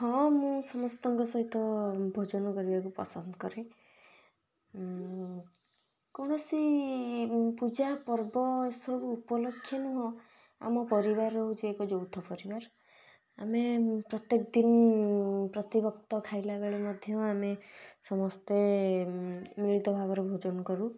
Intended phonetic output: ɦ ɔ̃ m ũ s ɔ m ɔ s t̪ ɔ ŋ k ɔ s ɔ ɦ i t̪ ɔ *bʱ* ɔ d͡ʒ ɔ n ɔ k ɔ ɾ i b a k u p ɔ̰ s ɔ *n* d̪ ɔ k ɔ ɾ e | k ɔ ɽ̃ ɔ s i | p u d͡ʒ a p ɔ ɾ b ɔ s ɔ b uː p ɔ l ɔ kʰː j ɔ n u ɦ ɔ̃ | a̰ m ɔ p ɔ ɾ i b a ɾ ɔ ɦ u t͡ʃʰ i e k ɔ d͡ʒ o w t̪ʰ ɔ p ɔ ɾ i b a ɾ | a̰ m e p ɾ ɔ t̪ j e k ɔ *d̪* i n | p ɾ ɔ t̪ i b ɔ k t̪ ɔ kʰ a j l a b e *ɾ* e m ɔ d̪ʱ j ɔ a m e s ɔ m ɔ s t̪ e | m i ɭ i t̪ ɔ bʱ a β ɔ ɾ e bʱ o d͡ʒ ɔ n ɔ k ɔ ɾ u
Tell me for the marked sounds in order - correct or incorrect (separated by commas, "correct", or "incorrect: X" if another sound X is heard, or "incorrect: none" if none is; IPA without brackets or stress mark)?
correct, correct, correct, incorrect: ɭ